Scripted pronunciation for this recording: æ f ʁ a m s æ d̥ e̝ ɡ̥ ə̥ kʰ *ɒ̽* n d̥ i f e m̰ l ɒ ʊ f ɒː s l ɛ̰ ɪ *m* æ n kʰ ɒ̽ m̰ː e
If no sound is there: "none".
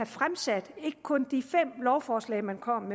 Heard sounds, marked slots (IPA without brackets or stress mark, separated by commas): ɔ̽, m